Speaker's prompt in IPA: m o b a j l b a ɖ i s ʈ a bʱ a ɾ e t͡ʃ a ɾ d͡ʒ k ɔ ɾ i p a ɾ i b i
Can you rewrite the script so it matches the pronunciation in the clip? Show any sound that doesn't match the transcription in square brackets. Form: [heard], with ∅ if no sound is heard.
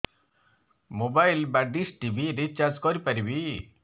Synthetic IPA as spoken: m o b a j l b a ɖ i s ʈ [i] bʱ [i] ɾ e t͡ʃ a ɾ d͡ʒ k ɔ ɾ i p a ɾ i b i